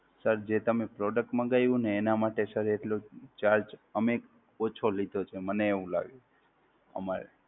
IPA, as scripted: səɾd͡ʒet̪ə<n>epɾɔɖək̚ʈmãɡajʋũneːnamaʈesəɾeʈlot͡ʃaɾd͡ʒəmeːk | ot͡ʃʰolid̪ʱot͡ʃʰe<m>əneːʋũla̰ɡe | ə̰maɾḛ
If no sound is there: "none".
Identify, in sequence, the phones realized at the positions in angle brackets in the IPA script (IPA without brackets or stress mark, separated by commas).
m, m